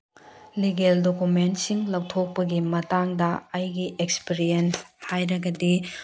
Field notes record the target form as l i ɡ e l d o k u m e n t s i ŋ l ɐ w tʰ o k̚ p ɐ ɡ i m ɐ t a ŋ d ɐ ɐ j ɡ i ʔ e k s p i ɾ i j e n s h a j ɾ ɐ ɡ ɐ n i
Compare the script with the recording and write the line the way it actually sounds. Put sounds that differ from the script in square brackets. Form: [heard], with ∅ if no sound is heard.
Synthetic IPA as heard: l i ɡ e l d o k u m e n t s i ŋ l ɐ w tʰ o k̚ p ɐ ɡ i m ɐ t a ŋ d ɐ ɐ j ɡ i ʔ e k s p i ɾ i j e n s h a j ɾ ɐ ɡ ɐ [d] i